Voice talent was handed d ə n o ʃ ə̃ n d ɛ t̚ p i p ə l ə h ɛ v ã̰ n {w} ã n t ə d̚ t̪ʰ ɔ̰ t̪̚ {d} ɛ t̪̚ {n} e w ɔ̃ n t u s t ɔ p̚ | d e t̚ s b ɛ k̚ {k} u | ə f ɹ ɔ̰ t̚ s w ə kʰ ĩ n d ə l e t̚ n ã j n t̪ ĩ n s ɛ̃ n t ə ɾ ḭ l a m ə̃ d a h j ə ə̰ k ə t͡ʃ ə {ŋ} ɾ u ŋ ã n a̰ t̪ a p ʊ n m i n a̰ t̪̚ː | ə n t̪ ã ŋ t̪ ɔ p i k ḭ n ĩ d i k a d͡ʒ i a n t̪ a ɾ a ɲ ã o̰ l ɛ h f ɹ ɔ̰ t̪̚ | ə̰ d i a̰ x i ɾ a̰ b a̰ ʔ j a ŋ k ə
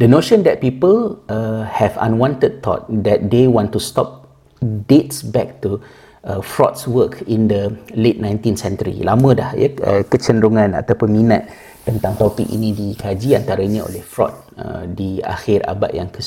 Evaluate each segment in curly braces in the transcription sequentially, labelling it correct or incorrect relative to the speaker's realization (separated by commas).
correct, correct, incorrect, incorrect, incorrect